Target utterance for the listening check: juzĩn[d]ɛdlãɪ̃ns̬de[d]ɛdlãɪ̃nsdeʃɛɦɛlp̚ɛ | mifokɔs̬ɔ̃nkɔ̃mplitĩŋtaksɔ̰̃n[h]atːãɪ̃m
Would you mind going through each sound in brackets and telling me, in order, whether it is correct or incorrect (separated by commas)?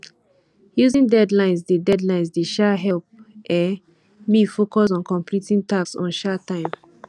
correct, correct, incorrect